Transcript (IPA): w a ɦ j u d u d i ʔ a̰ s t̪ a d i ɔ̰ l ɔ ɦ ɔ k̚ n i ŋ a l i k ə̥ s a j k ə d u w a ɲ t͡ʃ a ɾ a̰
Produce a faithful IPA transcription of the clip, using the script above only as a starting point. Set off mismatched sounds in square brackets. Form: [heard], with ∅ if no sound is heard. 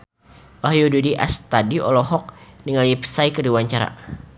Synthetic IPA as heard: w a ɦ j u d u d i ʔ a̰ s t̪ a d i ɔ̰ l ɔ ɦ ɔ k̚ n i ŋ a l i [p] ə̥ s a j k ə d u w a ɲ t͡ʃ a ɾ a̰